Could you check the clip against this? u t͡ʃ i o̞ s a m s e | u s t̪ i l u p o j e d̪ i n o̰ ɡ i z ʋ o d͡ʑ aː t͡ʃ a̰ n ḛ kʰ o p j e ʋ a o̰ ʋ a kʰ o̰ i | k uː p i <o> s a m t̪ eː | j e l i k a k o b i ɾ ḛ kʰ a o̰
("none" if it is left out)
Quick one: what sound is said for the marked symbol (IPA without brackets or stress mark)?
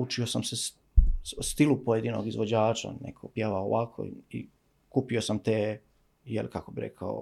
o